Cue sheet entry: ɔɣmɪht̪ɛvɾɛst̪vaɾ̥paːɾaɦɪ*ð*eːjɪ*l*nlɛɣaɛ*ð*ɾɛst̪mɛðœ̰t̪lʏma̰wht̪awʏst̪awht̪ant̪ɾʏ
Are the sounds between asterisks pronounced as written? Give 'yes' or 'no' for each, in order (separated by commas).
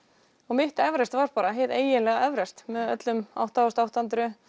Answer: yes, no, no